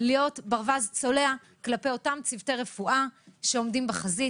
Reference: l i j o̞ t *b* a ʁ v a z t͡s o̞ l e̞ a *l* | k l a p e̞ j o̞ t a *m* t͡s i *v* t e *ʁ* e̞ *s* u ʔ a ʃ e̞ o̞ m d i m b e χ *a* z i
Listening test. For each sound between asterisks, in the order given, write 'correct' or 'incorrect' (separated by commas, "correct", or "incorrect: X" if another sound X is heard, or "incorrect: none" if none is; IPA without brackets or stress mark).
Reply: correct, incorrect: none, correct, correct, correct, incorrect: f, correct